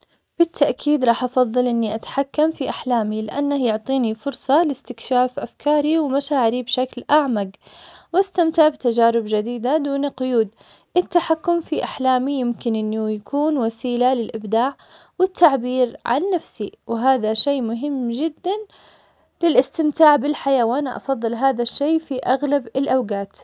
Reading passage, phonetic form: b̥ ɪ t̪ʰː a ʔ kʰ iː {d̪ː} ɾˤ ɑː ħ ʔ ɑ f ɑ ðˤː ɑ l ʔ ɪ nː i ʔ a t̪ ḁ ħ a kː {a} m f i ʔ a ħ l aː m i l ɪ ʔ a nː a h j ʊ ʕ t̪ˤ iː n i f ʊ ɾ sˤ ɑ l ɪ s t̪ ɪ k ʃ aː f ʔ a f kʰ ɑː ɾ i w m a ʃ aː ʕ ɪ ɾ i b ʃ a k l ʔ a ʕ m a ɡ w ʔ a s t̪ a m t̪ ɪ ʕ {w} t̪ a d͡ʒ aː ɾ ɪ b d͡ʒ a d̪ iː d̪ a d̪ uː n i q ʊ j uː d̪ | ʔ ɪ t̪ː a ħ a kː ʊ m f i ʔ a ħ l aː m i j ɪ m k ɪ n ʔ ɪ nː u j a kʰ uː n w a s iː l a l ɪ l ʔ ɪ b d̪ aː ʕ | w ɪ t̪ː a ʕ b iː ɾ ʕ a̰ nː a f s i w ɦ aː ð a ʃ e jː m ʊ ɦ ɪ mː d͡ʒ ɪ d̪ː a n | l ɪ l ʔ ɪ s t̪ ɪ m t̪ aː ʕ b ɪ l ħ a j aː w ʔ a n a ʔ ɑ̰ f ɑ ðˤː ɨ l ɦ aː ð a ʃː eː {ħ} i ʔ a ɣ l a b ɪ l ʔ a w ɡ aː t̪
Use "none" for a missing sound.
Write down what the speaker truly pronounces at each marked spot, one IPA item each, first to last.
d̪, a, b, f

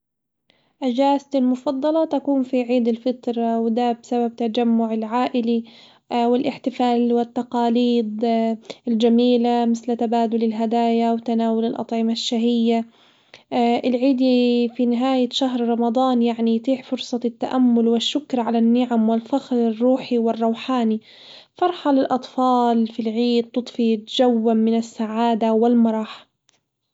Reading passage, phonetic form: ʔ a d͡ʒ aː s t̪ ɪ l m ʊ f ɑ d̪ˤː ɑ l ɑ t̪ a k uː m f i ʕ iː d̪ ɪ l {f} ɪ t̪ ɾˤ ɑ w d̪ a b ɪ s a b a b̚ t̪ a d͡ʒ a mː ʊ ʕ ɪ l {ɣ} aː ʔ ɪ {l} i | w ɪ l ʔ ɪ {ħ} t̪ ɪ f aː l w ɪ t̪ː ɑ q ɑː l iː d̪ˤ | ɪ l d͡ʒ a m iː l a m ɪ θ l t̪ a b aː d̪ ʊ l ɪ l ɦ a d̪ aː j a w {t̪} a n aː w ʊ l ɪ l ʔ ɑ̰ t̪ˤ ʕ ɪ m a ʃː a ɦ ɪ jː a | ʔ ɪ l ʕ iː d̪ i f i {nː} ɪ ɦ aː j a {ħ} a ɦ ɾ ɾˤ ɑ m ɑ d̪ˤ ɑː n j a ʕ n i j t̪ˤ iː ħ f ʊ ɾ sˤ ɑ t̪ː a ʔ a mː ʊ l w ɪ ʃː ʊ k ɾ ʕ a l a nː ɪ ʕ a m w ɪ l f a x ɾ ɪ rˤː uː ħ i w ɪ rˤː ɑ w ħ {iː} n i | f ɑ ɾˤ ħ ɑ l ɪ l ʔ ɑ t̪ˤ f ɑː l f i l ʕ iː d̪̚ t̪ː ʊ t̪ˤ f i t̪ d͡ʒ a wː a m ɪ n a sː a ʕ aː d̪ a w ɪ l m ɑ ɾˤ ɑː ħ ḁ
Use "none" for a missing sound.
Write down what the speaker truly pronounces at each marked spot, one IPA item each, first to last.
f, ʕ, l, ħ, t̪, n, ʃ, aː

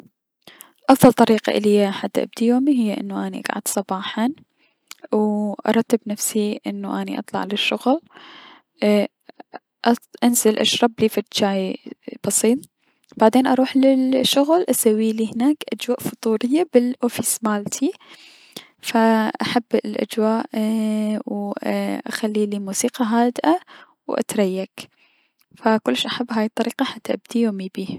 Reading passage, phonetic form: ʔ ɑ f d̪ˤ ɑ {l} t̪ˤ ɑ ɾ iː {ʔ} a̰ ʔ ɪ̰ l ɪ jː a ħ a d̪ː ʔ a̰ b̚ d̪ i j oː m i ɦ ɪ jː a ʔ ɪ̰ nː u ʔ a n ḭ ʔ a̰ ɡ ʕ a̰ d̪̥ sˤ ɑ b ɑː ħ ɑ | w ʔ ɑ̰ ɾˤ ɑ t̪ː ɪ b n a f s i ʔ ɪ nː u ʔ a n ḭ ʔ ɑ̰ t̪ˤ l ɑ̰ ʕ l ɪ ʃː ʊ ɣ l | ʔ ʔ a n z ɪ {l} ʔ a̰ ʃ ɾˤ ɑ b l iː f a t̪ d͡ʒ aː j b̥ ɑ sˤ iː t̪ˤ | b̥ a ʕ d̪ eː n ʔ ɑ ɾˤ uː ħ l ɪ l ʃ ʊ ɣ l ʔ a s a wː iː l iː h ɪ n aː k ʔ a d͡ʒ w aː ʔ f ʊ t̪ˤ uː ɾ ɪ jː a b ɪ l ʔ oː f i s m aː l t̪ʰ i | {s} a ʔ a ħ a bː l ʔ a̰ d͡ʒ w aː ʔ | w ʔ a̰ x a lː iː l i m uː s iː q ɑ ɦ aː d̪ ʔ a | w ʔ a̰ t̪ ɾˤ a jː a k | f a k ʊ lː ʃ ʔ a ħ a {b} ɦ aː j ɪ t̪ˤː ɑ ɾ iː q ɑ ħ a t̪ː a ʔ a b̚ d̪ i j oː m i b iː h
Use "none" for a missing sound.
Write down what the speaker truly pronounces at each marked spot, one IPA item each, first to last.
l, q, l, f, bː

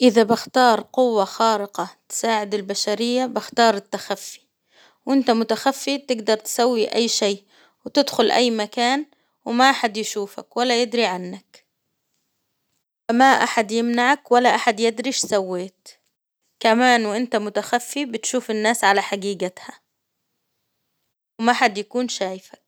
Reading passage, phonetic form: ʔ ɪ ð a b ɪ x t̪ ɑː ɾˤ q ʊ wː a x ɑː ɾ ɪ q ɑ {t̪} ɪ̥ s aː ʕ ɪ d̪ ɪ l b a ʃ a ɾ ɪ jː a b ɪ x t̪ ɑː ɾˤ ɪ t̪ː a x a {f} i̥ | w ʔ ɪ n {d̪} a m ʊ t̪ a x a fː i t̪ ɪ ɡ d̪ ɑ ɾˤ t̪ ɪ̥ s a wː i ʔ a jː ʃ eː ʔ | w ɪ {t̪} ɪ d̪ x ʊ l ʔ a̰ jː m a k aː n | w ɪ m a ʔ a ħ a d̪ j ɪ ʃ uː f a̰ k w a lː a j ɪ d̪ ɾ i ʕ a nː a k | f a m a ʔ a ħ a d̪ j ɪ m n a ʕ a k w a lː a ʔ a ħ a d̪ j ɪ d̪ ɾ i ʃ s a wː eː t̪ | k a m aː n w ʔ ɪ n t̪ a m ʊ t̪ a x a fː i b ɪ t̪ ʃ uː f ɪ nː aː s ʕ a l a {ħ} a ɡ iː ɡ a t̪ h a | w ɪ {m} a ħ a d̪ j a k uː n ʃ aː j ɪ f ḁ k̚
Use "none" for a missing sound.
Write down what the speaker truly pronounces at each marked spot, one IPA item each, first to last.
t̪, fː, t̪, t̪, ħ, m

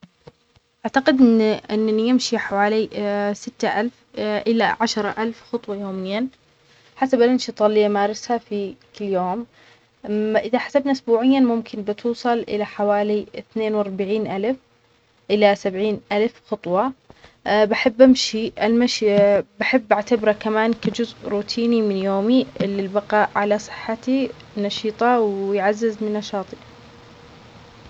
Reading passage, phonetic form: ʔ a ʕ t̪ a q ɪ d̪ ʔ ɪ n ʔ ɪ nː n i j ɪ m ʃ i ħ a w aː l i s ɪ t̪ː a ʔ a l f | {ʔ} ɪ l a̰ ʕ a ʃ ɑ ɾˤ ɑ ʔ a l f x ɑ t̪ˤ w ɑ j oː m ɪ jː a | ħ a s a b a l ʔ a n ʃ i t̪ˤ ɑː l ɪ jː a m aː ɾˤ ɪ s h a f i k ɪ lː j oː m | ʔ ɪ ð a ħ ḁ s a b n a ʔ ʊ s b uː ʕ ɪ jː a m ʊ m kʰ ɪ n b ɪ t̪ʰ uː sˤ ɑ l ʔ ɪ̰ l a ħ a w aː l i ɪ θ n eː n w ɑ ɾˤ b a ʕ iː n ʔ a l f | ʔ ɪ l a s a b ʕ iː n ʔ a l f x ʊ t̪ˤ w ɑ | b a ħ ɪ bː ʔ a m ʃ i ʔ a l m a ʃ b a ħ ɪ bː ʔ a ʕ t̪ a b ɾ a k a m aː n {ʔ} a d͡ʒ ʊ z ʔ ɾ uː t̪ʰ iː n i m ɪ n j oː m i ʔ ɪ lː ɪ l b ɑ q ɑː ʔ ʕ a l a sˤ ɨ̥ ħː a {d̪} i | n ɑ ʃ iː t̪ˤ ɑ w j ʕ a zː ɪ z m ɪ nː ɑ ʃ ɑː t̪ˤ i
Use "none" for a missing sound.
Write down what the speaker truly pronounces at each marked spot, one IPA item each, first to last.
ʔ, k, t̪

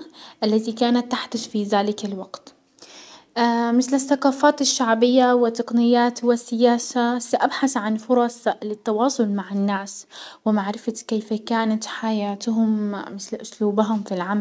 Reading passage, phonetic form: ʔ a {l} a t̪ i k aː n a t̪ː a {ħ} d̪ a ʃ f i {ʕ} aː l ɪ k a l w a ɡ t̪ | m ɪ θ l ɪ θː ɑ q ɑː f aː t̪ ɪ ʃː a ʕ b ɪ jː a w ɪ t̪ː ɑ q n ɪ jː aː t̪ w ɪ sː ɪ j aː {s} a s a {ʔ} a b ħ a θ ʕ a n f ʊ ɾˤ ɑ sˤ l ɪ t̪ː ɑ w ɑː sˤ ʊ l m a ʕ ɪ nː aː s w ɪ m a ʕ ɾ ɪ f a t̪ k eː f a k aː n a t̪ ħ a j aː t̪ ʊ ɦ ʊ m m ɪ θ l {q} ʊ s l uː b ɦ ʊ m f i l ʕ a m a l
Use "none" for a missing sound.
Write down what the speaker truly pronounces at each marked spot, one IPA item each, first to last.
lː, ħ, ð, s, ʔ, ʔ

